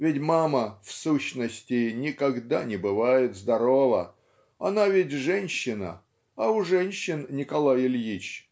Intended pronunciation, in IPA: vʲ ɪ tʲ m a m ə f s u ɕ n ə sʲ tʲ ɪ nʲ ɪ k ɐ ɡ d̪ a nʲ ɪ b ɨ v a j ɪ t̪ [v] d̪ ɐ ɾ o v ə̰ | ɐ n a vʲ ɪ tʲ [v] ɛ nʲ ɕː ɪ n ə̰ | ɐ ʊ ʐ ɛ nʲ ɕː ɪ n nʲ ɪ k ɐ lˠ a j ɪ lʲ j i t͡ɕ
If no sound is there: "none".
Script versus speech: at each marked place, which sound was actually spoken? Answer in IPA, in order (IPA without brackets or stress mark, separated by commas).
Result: z, ʐ